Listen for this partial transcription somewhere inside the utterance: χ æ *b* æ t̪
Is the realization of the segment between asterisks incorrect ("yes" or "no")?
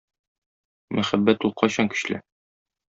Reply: yes